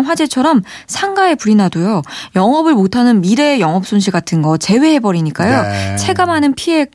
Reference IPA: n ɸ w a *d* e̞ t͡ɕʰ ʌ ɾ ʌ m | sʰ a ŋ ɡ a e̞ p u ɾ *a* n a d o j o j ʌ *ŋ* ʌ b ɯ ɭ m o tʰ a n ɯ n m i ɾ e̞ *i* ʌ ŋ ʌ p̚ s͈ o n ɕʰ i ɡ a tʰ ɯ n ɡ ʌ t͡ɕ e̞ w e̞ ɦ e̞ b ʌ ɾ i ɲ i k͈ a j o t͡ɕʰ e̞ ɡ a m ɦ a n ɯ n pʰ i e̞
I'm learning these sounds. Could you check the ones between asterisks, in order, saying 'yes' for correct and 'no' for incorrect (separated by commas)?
no, no, yes, no